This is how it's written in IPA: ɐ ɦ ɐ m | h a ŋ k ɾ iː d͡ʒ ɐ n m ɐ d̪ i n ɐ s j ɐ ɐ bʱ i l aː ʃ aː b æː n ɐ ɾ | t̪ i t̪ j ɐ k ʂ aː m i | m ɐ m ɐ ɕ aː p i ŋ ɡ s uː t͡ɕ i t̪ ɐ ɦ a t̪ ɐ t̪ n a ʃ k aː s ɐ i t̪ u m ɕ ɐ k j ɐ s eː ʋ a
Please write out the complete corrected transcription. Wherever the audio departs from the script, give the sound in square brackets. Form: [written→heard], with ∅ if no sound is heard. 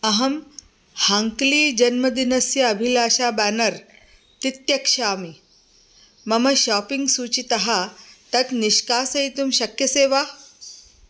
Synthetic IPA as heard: ɐ ɦ ɐ m | h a ŋ k [ɾ→l] iː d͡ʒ ɐ n m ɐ d̪ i n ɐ s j ɐ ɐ bʱ i l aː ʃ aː b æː n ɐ ɾ | t̪ i t̪ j ɐ k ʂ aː m i | m ɐ m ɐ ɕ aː p i ŋ ɡ s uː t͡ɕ i t̪ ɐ ɦ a t̪ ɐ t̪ n [a→i] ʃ k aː s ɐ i t̪ u m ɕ ɐ k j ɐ s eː ʋ a